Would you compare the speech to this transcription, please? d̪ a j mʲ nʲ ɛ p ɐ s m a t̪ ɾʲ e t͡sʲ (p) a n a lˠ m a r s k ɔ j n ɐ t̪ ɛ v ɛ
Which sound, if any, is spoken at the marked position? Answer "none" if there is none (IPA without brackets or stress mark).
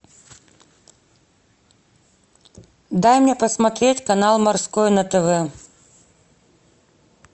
k